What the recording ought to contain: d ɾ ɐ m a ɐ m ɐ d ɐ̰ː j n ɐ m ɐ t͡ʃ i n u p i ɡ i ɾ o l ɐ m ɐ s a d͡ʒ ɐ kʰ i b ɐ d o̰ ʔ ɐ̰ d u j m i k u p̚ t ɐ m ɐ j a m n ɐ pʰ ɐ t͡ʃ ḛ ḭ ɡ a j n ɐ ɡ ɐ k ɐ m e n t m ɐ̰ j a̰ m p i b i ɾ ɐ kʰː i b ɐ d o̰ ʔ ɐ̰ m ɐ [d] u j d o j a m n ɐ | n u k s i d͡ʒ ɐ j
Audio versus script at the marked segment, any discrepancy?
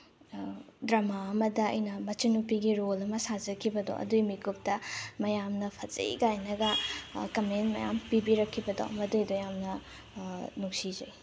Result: no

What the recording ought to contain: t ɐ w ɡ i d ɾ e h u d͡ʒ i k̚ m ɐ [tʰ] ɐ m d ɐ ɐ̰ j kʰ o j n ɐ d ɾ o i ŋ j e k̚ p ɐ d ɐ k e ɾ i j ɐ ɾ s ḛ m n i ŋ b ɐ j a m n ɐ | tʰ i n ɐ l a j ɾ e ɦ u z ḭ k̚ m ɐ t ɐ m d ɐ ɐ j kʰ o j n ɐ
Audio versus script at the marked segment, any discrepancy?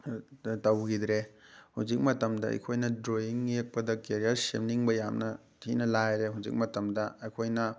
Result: yes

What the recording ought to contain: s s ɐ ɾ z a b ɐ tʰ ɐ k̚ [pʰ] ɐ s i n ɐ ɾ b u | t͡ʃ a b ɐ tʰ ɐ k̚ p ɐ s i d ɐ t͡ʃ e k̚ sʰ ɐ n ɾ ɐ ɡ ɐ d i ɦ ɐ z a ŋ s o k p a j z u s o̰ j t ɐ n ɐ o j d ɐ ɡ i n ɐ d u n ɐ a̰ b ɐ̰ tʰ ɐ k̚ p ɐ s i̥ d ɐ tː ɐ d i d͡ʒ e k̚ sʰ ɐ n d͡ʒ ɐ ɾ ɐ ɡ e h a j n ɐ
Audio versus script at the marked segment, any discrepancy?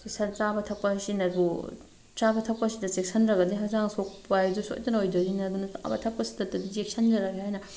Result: yes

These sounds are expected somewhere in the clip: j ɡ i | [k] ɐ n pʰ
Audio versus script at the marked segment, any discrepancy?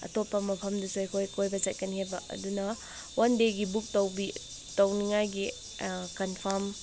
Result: no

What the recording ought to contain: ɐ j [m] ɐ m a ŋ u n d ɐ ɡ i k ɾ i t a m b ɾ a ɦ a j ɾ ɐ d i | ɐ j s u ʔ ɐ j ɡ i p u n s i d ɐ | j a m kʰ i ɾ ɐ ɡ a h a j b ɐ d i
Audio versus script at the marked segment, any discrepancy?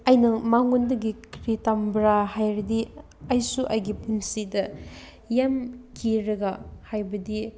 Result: yes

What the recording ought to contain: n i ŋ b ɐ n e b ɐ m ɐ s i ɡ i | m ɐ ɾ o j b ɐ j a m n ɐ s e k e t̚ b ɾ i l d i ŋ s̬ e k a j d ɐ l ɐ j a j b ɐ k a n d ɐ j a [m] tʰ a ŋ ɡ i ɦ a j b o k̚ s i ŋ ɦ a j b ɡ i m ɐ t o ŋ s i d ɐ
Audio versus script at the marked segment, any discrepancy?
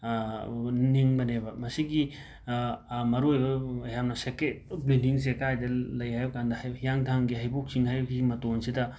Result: yes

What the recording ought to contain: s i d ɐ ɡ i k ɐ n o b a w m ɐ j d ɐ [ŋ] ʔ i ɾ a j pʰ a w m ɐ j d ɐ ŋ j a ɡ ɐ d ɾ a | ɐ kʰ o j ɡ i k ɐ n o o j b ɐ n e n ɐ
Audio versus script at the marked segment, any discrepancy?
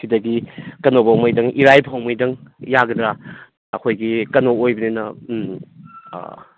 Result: no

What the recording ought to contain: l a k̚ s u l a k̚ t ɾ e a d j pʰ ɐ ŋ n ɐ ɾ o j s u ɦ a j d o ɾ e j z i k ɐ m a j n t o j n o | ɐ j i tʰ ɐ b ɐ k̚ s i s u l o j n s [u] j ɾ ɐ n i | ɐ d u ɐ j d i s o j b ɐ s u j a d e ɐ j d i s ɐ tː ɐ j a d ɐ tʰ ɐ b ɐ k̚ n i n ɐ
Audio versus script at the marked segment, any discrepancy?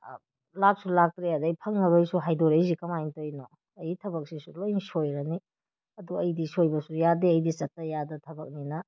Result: yes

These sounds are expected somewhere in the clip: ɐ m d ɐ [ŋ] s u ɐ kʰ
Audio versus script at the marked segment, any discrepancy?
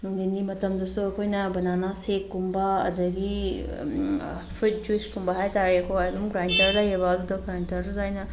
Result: yes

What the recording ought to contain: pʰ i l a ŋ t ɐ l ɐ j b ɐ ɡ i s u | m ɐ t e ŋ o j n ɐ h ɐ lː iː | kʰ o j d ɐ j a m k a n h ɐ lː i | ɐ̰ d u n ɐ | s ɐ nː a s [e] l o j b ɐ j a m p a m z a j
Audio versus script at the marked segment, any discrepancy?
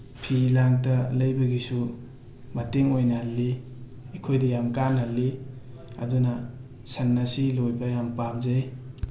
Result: yes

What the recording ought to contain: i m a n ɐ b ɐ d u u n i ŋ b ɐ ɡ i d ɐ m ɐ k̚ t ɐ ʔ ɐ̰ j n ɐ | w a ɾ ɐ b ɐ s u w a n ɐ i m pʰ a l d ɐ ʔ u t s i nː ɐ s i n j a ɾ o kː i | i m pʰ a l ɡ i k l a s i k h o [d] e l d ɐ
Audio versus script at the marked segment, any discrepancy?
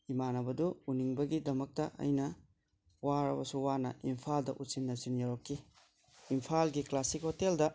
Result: yes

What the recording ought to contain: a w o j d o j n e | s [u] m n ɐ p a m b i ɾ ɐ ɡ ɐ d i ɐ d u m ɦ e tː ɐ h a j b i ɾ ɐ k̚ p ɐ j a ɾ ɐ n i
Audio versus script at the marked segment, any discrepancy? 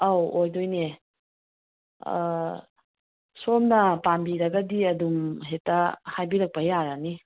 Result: yes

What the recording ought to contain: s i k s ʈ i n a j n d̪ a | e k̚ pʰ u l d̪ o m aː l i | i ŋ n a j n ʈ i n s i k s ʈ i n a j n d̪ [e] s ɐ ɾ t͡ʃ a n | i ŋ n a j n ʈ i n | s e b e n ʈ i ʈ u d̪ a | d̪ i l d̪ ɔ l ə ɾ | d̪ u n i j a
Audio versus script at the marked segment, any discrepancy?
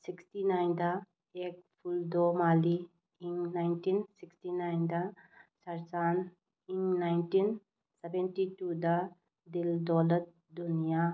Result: yes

